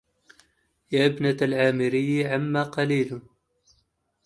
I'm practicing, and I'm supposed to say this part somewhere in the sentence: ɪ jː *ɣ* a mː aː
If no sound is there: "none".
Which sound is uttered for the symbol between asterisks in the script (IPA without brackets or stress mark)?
ʕ